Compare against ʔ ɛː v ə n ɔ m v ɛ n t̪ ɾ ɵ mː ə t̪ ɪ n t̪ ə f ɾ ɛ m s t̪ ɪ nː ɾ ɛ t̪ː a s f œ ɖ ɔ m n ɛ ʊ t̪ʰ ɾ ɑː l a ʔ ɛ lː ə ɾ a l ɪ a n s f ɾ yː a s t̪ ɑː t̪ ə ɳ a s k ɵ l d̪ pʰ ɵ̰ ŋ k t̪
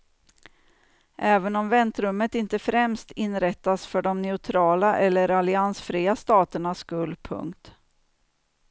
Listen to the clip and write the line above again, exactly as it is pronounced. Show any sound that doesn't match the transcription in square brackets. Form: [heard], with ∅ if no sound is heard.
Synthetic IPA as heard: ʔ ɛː v ə n ɔ m v ɛ n t̪ ɾ ɵ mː ə t̪ ɪ n t̪ ə f ɾ ɛ m s t̪ ɪ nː ɾ ɛ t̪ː a s f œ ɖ ɔ m n ɛ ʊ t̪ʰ ɾ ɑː l a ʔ ɛ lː ə ɾ a l ɪ a n s f ɾ [iː] a s t̪ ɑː t̪ ə ɳ a s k ɵ l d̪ pʰ ɵ̰ ŋ k t̪